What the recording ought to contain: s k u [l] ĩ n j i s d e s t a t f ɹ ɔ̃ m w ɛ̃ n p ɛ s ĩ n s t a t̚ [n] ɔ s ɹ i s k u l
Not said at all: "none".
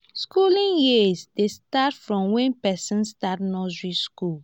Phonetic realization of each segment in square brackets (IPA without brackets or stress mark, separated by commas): l, n